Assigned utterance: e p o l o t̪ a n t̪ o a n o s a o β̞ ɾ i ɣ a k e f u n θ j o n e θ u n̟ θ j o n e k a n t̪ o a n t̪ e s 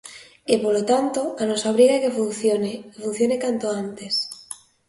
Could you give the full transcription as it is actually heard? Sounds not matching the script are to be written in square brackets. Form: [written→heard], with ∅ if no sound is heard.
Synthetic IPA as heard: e p o l o t̪ a n t̪ o a n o s a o β̞ ɾ i ɣ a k e f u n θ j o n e [θ→f] u n̟ θ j o n e k a n t̪ o a n t̪ e s